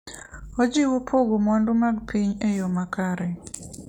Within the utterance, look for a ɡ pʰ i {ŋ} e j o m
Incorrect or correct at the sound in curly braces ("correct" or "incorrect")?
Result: incorrect